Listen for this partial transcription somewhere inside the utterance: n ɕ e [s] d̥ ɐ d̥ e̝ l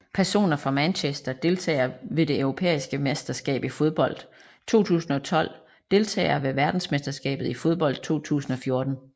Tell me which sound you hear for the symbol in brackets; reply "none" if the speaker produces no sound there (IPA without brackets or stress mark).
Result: s